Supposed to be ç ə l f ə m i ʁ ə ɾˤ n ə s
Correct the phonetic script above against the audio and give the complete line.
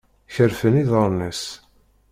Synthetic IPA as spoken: ç ə ɾ f ə n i ð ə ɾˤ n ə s